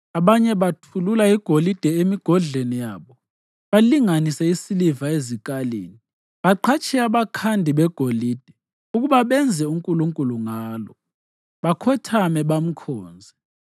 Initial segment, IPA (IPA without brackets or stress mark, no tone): a